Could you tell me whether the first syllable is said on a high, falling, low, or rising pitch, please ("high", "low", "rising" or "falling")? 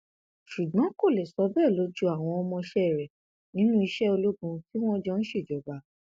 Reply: low